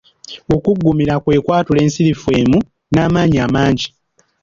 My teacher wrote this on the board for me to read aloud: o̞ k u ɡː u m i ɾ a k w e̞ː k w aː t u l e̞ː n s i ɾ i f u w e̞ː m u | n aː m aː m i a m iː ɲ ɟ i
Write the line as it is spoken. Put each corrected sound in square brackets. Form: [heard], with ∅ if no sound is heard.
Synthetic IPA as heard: o̞ k u ɡː u m i ɾ a k w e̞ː k w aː t u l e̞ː n s i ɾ i f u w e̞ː m u | n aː m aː [ɲ] i a m [aː] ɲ ɟ i